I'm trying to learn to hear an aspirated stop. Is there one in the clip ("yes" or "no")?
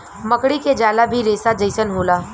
no